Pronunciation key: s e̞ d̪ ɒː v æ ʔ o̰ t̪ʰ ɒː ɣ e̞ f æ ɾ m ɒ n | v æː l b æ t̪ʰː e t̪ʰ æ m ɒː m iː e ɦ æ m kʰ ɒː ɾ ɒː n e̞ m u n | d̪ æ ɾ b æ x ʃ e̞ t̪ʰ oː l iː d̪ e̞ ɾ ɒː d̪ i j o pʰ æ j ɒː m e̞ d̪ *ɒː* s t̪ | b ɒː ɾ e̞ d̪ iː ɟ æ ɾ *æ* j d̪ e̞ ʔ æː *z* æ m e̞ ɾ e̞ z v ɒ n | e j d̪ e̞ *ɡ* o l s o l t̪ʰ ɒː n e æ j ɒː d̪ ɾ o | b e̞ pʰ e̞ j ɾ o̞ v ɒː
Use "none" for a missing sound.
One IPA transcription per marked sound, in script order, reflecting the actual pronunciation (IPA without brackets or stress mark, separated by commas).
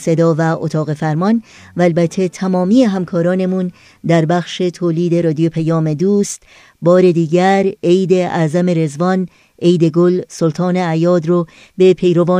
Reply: uː, e, z, ɡ